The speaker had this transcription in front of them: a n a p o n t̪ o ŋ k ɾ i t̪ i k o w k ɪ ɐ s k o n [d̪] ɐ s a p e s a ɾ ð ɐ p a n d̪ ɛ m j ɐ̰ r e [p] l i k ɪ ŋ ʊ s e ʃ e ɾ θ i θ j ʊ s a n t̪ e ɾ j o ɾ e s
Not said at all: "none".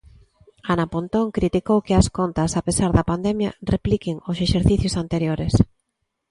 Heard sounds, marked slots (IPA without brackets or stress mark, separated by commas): t̪, p